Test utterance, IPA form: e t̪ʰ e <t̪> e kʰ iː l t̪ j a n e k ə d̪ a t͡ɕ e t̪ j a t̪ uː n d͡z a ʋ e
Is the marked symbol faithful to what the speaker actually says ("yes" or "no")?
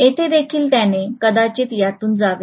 no